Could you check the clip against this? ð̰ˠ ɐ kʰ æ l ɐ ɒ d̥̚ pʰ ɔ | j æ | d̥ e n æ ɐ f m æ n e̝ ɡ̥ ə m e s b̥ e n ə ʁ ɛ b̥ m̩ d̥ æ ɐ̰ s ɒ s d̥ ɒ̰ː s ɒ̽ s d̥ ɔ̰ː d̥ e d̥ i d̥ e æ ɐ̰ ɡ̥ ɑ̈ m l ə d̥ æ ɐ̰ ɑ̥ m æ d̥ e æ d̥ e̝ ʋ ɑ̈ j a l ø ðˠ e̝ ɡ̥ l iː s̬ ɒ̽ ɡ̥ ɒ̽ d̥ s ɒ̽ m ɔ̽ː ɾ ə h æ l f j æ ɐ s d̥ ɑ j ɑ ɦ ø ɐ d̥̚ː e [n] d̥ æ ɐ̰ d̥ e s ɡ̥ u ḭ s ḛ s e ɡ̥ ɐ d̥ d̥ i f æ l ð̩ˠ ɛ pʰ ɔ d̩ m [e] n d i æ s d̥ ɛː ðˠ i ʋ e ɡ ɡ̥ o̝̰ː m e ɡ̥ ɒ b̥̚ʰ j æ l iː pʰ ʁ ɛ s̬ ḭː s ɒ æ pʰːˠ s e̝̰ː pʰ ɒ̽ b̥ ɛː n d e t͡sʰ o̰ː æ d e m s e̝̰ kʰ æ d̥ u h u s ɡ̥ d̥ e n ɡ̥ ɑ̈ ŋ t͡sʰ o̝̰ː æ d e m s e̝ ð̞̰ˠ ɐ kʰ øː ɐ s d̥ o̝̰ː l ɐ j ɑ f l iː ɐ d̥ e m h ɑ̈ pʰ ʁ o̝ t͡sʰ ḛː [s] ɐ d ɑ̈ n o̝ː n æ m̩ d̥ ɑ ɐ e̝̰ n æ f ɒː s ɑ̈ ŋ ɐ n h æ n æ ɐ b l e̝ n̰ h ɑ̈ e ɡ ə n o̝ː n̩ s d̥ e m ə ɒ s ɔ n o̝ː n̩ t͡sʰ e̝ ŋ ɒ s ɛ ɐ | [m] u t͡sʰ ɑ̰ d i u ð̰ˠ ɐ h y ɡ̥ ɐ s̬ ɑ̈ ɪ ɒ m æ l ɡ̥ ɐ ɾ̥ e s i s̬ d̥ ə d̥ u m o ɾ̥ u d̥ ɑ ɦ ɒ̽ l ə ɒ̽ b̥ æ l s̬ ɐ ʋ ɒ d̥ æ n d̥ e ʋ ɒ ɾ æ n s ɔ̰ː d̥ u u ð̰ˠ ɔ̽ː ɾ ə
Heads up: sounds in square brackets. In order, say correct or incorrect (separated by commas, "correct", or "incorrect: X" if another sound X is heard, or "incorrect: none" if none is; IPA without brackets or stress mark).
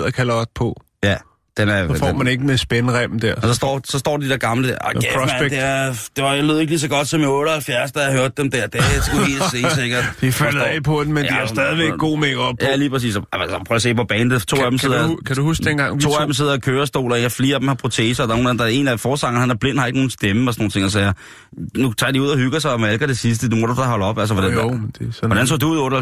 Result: incorrect: m, correct, correct, incorrect: n